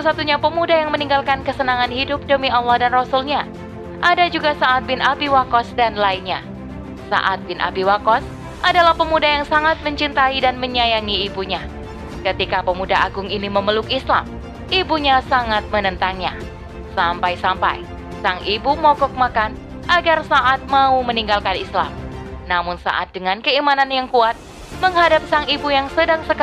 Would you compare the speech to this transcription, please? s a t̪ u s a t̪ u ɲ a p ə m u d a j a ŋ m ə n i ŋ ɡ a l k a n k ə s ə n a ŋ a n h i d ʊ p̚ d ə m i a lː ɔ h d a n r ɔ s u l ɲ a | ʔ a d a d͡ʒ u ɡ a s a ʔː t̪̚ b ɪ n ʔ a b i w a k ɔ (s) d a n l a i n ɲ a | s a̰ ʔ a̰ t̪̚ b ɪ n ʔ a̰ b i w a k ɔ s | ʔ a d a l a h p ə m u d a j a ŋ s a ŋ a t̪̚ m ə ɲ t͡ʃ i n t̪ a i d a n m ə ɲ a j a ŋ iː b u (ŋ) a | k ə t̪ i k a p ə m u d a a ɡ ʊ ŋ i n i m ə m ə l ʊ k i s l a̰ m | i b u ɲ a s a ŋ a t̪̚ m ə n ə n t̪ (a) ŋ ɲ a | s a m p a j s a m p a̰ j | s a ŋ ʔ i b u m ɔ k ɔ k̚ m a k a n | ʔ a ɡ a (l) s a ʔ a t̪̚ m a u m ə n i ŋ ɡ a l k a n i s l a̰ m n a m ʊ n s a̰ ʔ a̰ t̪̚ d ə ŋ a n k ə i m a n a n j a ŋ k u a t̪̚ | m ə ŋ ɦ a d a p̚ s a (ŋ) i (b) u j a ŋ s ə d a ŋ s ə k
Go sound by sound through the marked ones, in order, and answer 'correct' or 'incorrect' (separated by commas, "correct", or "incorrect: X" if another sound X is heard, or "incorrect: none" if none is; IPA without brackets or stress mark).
correct, incorrect: ɲ, correct, incorrect: r, correct, correct